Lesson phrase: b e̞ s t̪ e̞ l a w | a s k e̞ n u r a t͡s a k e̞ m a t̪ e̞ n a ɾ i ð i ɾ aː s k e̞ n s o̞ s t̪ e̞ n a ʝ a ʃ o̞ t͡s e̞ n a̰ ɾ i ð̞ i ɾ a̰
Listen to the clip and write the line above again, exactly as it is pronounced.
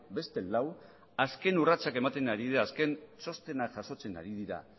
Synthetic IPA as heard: b e̞ s t̪ e̞ l a w | a s k e̞ n u r a t͡s a k e̞ m a t̪ e̞ n a ɾ i ð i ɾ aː s k e̞ n s o̞ s t̪ e̞ n a ʝ a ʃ o̞ t͡s e̞ n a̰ ɾ i ð̞ i ɾ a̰

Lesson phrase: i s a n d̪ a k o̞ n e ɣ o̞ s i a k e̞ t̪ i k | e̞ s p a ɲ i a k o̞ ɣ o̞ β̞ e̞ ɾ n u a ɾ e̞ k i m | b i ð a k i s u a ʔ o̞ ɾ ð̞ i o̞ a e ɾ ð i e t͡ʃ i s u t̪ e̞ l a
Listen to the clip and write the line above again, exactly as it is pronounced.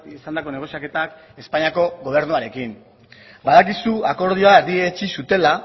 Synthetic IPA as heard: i s a n d̪ a k o̞ n e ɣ o̞ s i a k e̞ t̪ a k | e̞ s p a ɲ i a k o̞ ɣ o̞ β̞ e̞ ɾ n u a ɾ e̞ k i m | b a ð a k i s u a k o̞ ɾ ð̞ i o̞ a e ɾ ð i e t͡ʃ i s u t̪ e̞ l a

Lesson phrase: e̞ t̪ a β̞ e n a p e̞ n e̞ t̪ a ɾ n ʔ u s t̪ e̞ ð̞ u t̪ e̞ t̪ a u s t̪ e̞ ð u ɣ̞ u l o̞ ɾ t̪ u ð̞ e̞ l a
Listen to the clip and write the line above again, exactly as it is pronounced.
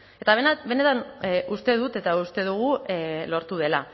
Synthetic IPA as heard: e̞ t̪ a β̞ e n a b e̞ n e̞ t̪ a n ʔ u s t̪ e̞ ð̞ u t̪ e̞ t̪ a u s t̪ e̞ ð u ɣ̞ u l o̞ ɾ t̪ u ð̞ e̞ l a

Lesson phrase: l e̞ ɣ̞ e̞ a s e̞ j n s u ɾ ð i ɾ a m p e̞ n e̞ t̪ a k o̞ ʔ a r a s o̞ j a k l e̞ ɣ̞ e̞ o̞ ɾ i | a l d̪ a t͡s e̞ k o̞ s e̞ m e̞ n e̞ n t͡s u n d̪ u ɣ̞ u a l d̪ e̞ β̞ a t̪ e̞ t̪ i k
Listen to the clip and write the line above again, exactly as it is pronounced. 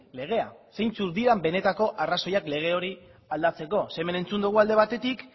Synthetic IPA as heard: l e̞ ɣ̞ e̞ a s e̞ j n t͡s u ɾ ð i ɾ a m b e̞ n e̞ t̪ a k o̞ ʔ a r a s o̞ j a k l e̞ ɣ̞ e̞ o̞ ɾ i | a l d̪ a t͡s e̞ k o̞ s e̞ m e̞ n e̞ n t͡s u n d̪ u ɣ̞ u a l d̪ e̞ β̞ a t̪ e̞ t̪ i k

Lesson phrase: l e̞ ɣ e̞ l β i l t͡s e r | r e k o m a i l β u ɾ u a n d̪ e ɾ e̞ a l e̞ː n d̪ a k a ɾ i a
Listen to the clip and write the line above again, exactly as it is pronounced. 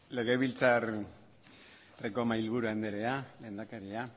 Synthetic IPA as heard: l e̞ ɣ e̞ β i l t͡s a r | r e k o m a i l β u ɾ u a n d̪ e ɾ e̞ a l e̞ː n d̪ a k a ɾ i a

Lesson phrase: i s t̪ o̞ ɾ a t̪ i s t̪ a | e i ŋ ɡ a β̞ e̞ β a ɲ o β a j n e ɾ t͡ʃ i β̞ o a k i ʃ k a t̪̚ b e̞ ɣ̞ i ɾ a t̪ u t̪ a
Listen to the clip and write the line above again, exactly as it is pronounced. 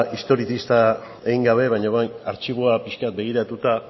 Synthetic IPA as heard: i s t̪ o̞ ɾ i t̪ i s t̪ a | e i ŋ ɡ a β̞ e̞ β a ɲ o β a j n a ɾ t͡ʃ i β̞ o a p i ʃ k a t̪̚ b e̞ ɣ̞ i ɾ a t̪ u t̪ a

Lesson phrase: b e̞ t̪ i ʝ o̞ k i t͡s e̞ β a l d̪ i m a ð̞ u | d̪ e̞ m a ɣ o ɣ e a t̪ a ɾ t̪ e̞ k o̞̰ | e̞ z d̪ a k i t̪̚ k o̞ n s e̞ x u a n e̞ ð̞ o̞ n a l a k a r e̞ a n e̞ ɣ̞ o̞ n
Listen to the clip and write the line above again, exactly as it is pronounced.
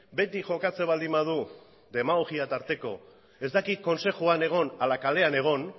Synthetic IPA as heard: b e̞ t̪ i ʝ o̞ k a t͡s e̞ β a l d̪ i m a ð̞ u | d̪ e̞ m a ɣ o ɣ i a t̪ a ɾ t̪ e̞ k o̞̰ | e̞ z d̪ a k i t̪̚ k o̞ n s e̞ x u a n e̞ ɣ̞ o̞ n a l a k a l e̞ a n e̞ ɣ̞ o̞ n

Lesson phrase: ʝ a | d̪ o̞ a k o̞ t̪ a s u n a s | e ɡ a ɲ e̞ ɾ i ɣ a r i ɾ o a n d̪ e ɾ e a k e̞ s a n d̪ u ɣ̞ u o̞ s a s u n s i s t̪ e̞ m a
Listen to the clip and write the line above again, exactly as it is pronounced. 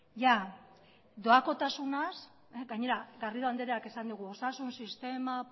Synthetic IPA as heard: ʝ a | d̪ o̞ a k o̞ t̪ a s u n a s | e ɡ a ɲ e̞ ɾ a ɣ a r i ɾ o a n d̪ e ɾ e a k e̞ s a n d̪ u ɣ̞ u o̞ s a s u n s i s t̪ e̞ m a

